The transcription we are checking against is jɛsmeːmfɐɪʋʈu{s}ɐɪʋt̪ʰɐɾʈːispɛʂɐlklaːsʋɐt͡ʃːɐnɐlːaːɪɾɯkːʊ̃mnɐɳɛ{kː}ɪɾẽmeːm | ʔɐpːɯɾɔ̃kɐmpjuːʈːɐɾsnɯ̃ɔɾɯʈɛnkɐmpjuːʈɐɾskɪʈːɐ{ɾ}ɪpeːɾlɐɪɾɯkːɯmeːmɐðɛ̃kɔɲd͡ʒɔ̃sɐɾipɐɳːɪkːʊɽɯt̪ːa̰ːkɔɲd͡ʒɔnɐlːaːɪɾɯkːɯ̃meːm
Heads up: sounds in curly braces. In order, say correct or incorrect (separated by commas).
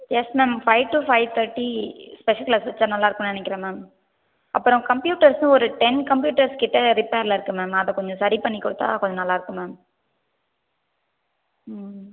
incorrect, correct, correct